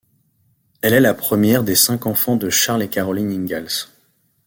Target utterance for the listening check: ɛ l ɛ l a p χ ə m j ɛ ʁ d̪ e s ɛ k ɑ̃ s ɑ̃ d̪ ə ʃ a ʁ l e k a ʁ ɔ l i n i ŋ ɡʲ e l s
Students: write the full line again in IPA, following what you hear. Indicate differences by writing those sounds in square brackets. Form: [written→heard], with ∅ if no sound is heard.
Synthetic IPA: ɛ l ɛ l a p χ ə m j ɛ ʁ d̪ e s [ɛ→ɛ̃] k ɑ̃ [s→f] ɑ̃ d̪ ə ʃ a ʁ l e k a ʁ ɔ l i n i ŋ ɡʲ [e→a] l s

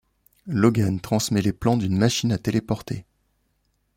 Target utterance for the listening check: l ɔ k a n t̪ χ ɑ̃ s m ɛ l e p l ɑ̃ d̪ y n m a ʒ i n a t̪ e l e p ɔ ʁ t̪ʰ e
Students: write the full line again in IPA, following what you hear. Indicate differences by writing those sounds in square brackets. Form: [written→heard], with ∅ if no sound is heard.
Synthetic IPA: l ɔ [k→ɡ] a n t̪ χ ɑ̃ s m ɛ l e p l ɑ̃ d̪ y n m a [ʒ→ʃ] i n a t̪ e l e p ɔ ʁ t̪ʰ e

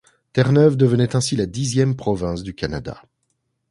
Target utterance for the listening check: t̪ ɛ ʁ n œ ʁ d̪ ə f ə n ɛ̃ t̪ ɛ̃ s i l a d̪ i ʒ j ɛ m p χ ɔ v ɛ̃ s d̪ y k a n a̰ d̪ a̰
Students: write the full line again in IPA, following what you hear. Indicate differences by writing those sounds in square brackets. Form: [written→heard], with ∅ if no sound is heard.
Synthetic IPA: t̪ ɛ ʁ n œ [ʁ→v] d̪ ə [f→v] ə n [ɛ̃→ɛ] t̪ ɛ̃ s i l a d̪ i [ʒ→z] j ɛ m p χ ɔ v ɛ̃ s d̪ y k a n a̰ d̪ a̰

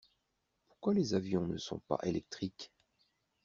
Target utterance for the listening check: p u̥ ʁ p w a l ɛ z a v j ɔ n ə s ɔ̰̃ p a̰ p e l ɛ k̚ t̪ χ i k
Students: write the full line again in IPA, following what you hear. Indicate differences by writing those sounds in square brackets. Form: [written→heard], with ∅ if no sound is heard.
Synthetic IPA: p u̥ ʁ [p→k] w a l [ɛ→e] z a v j [ɔ→ɔ̃] n ə s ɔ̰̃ p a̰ [p→ʔ] e l ɛ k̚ t̪ χ i k

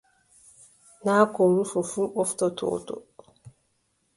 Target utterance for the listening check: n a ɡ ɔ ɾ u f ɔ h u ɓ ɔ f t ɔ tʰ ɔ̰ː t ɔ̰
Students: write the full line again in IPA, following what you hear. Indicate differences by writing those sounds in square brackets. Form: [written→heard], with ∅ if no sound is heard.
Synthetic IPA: n a [ɡ→k] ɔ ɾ u f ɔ [h→f] u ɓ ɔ f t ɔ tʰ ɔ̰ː t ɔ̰

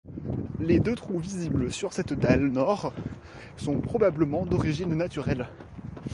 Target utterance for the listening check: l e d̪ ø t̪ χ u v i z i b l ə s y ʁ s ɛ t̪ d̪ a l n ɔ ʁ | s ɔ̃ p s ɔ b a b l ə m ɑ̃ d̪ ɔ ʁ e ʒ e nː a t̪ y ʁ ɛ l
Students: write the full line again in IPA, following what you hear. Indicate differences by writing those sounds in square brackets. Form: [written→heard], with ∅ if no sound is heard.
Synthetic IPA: l e d̪ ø t̪ χ u v i z i b l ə s y ʁ s ɛ t̪ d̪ a l n ɔ ʁ | s ɔ̃ p [s→χ] ɔ b a b l ə m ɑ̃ d̪ ɔ ʁ [e→i] ʒ [e→i] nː a t̪ y ʁ ɛ l

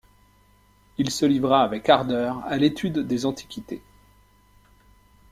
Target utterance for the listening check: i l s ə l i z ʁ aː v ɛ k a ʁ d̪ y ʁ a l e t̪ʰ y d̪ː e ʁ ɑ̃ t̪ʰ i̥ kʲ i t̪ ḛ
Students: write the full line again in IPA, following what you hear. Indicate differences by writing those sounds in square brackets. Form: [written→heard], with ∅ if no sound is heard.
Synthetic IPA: i l s ə l i [z→v] ʁ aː v ɛ k a ʁ d̪ [y→œ] ʁ a l e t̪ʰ y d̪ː e [ʁ→z] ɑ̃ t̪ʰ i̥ kʲ i t̪ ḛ

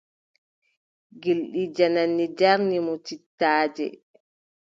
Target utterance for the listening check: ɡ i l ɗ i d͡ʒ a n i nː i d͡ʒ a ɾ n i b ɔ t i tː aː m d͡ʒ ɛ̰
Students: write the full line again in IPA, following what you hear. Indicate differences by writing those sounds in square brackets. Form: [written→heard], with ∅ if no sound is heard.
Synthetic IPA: ɡ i l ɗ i d͡ʒ a n [i→a] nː i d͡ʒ a ɾ n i [b→m] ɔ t i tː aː [m→∅] d͡ʒ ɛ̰

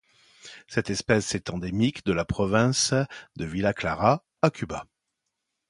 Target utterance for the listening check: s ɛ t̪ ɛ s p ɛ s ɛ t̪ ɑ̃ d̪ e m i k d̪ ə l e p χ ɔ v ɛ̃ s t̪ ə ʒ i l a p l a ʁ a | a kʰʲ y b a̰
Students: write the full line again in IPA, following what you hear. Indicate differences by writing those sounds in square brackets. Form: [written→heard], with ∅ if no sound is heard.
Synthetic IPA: s ɛ t̪ ɛ s p ɛ s ɛ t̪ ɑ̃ d̪ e m i k d̪ ə l [e→a] p χ ɔ v ɛ̃ s [t̪→d̪] ə [ʒ→v] i l a [p→k] l a ʁ a | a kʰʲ y b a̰

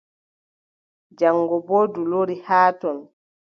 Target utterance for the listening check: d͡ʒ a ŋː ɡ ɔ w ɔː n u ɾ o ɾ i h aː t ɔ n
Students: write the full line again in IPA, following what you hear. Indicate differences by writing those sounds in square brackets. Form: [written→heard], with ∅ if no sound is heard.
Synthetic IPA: d͡ʒ a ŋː ɡ ɔ [w→b] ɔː [n→d] u [ɾ→l] o ɾ i h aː t ɔ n

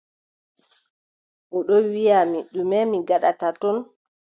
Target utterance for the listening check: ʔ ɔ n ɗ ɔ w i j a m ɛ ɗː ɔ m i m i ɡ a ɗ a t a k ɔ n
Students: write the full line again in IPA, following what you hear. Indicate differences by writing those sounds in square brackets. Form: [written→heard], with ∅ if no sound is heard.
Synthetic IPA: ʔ ɔ [n→∅] ɗ ɔ w i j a m [ɛ→i] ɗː [ɔ→u] m [i→ɛ] m i ɡ a ɗ a t a [k→t] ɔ n

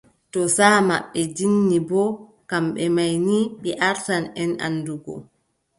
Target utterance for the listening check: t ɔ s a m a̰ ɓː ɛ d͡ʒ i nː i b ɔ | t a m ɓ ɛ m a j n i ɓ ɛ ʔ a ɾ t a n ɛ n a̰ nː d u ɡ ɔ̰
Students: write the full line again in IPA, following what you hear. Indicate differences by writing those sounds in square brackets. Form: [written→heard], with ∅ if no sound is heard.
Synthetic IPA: t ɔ s a m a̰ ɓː ɛ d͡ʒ i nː i b ɔ | [t→k] a m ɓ ɛ m a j n i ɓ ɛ ʔ a ɾ t a n ɛ n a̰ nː d u ɡ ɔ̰

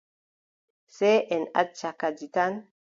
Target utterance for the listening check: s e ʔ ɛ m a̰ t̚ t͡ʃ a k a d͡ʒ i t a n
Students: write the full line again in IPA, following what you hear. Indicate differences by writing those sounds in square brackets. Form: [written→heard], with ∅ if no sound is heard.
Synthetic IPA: s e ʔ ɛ [m→n] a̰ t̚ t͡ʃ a k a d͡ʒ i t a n

